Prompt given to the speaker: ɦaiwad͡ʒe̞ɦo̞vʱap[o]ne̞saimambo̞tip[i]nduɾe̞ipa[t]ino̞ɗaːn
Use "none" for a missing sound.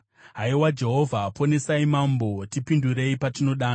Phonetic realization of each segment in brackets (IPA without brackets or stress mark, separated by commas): o, i, t